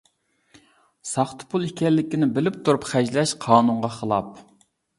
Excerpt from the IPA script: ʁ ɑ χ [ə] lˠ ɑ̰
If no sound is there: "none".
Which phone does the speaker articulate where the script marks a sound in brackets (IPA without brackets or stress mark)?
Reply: ə